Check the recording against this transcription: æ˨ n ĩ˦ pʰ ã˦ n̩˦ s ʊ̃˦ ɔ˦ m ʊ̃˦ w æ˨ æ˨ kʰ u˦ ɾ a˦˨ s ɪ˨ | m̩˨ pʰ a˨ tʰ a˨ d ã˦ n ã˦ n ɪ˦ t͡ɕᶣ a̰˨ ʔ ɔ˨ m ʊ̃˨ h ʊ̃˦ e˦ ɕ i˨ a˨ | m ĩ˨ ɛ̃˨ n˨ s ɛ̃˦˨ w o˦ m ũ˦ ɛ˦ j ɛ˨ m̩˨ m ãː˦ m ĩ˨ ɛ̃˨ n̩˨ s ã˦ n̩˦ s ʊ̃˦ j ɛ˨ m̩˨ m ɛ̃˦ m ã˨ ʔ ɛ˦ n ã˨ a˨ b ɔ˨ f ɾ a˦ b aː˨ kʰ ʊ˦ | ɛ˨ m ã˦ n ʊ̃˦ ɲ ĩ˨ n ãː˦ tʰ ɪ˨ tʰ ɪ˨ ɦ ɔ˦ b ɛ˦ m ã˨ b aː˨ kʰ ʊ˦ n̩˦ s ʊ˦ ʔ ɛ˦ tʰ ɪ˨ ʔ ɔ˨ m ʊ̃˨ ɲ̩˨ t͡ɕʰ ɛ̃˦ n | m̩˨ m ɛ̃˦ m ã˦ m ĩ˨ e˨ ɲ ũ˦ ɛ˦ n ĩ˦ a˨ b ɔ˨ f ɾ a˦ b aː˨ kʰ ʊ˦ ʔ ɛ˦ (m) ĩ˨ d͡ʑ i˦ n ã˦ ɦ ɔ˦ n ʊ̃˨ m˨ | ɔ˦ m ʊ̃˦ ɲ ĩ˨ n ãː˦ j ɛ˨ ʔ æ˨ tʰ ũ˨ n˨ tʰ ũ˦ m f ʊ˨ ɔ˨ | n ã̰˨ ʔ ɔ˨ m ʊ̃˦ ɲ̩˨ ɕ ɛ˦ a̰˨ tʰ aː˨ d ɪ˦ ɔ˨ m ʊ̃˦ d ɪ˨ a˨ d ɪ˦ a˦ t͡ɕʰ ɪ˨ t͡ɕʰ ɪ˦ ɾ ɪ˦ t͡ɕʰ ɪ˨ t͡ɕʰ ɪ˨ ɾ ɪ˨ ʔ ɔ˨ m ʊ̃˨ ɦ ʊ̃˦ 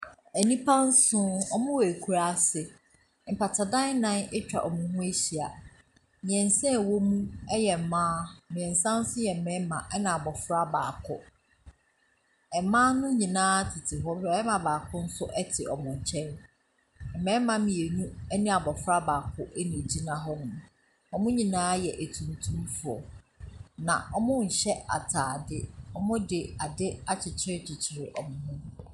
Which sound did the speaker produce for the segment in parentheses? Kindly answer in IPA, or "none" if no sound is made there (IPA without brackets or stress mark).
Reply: n